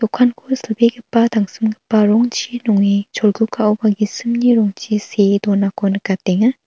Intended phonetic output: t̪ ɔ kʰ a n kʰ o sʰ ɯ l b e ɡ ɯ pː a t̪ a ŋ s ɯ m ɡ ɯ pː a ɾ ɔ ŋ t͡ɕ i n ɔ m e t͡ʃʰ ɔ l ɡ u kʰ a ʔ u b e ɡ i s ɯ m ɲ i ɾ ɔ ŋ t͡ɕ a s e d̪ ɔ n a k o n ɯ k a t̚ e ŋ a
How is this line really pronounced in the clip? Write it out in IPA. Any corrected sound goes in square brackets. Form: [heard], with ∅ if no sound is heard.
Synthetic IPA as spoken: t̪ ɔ kʰ a n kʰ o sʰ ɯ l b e ɡ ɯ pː a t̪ a ŋ s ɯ m ɡ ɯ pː a ɾ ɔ ŋ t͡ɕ i n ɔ [ŋ] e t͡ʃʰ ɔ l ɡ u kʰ a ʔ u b [a] ɡ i s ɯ m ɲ i ɾ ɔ ŋ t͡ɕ [i] s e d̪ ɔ n a k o n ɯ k a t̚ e ŋ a